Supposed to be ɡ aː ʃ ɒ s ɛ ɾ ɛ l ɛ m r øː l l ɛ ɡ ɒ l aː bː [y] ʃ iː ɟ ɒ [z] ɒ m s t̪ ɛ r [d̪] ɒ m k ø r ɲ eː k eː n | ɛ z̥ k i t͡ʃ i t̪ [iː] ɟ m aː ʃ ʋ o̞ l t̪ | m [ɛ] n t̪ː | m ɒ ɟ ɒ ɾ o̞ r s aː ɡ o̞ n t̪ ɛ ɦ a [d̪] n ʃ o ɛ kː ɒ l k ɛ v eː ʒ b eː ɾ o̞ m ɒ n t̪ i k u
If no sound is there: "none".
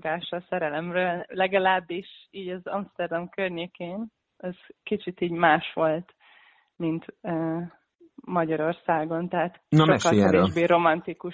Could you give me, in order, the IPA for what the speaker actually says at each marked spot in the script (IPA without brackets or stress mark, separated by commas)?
i, z, d̪, iː, i, t̪